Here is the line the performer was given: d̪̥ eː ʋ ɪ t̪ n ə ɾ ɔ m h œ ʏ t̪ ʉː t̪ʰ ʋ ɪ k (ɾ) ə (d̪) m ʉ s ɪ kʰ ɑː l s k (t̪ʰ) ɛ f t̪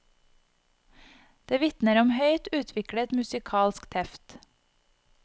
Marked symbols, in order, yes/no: no, no, yes

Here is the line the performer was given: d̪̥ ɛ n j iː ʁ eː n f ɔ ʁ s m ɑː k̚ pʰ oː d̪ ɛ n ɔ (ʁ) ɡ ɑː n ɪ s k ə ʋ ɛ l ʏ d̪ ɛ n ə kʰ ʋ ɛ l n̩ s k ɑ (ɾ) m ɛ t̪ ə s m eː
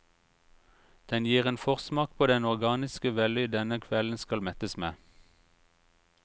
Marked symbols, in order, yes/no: yes, no

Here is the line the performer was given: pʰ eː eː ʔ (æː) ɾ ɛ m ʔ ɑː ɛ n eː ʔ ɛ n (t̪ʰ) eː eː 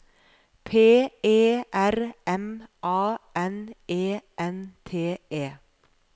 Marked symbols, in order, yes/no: no, yes

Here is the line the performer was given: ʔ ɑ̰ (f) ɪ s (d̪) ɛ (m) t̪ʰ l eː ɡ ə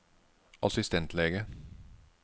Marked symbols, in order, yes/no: no, no, no

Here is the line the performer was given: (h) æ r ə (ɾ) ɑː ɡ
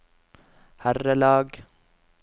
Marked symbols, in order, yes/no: yes, no

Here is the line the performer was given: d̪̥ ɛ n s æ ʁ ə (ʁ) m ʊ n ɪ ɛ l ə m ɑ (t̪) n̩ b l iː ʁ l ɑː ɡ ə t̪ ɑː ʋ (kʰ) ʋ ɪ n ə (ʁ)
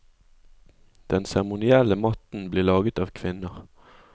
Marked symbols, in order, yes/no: no, yes, yes, yes

